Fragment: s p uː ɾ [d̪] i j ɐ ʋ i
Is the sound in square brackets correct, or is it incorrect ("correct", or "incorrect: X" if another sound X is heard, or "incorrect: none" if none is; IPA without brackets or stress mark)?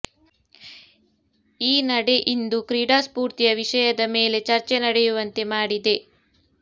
incorrect: t̪